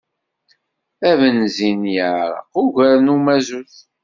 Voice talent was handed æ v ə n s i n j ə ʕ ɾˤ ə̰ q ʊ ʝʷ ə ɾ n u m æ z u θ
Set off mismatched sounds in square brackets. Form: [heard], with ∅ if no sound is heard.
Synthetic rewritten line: æ v ə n [z] i n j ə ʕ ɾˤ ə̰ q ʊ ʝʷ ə ɾ n u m æ z u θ